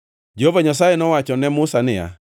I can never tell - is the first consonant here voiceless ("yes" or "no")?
no